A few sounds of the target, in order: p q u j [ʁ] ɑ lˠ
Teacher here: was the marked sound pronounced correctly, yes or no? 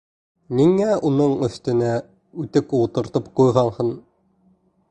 yes